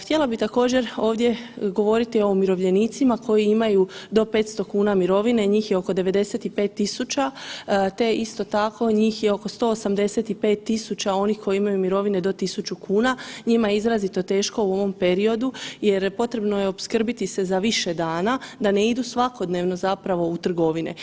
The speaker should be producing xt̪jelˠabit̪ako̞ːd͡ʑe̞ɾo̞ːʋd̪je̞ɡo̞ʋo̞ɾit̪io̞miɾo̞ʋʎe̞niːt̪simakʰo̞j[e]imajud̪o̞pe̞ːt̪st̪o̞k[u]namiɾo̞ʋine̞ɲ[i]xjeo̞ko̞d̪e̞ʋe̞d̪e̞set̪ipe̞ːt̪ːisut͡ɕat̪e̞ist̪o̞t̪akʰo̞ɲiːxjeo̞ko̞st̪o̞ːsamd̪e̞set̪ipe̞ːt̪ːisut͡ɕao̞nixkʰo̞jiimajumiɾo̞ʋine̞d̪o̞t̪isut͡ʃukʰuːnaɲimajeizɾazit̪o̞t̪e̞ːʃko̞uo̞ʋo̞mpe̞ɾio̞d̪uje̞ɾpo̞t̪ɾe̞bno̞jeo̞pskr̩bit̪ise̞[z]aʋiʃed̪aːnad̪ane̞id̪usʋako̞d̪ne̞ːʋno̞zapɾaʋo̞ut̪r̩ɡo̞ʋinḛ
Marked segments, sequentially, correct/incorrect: incorrect: i, incorrect: uː, incorrect: iː, correct

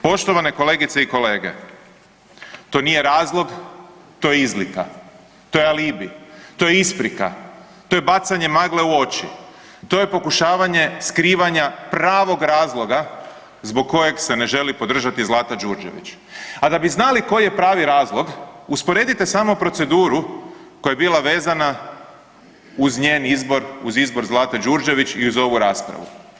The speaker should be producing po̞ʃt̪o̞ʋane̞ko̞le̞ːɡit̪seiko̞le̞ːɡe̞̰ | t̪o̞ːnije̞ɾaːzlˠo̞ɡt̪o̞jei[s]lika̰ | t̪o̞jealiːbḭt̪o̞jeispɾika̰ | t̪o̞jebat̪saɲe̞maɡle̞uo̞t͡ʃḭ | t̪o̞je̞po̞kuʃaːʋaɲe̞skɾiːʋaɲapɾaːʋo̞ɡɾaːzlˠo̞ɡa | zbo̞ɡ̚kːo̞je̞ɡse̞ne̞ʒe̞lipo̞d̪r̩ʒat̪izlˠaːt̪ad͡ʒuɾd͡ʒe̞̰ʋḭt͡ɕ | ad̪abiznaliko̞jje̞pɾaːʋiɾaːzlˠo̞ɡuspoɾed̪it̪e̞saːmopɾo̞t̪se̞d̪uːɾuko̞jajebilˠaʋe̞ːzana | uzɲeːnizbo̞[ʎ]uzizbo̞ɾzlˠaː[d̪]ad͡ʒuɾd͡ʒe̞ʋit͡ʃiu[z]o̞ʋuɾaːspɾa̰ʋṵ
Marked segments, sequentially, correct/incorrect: incorrect: z, incorrect: ɾ, incorrect: t̪, correct

